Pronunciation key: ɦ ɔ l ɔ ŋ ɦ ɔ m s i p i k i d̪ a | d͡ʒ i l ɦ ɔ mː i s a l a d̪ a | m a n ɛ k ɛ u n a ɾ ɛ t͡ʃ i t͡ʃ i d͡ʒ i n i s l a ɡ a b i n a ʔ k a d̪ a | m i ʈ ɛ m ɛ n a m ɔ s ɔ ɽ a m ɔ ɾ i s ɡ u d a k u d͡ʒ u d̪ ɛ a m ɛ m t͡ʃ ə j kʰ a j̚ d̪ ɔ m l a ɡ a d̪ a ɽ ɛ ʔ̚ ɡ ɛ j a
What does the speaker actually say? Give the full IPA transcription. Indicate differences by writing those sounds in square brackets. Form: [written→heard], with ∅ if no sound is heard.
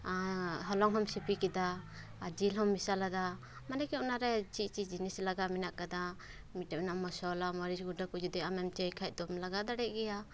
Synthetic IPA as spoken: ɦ ɔ l ɔ ŋ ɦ ɔ m s i p i k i d̪ a | d͡ʒ i l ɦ ɔ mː i s a l a d̪ a | m a n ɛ k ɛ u n a ɾ ɛ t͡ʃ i t͡ʃ i d͡ʒ i n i s l a ɡ a [b→m] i n a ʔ k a d̪ a | m i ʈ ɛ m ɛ n a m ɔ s ɔ [ɽ→l] a m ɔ ɾ i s ɡ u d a k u d͡ʒ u d̪ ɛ a m ɛ m t͡ʃ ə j kʰ a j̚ d̪ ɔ m l a ɡ a d̪ a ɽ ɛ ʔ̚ ɡ ɛ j a